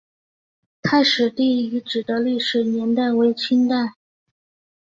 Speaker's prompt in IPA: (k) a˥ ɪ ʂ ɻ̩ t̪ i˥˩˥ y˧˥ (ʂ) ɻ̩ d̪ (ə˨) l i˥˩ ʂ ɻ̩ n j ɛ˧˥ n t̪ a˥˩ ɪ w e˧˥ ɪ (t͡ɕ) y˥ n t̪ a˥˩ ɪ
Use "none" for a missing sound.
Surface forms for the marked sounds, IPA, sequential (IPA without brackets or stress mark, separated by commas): kʰ, ʈ͡ʂ, ə˦, t͡ɕʰ